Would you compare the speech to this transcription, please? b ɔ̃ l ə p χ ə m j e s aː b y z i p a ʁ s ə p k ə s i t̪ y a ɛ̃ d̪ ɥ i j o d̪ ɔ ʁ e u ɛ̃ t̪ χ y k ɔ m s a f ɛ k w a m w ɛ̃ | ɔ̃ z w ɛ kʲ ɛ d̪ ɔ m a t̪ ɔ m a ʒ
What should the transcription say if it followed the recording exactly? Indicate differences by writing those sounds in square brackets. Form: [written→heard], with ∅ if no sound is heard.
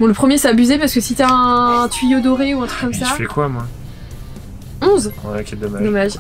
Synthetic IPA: b ɔ̃ l ə p χ ə m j e s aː b y z [i→e] p a ʁ s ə [p→∅] k ə s i t̪ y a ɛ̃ [d̪→t̪] ɥ i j o d̪ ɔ ʁ e u ɛ̃ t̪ χ y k ɔ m s a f ɛ k w a m w ɛ̃ | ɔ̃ z w ɛ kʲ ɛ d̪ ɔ m a [t̪→d̪] ɔ m a ʒ